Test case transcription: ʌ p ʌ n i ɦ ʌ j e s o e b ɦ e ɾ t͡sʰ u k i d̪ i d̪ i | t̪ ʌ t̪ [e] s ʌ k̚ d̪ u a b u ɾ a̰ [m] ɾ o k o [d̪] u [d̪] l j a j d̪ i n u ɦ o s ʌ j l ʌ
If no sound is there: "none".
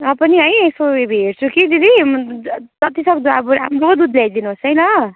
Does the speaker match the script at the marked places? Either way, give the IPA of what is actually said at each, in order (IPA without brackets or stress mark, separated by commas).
i, m, d̪, d̪